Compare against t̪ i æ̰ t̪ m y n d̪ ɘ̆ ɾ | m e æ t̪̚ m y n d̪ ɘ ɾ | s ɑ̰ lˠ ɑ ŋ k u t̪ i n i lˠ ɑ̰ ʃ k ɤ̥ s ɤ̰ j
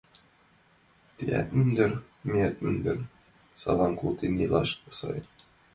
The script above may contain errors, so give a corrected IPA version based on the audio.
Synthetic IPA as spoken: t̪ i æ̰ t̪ m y n d̪ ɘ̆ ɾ | m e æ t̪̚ m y n d̪ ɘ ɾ | s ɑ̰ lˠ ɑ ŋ k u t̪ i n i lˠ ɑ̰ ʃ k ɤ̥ s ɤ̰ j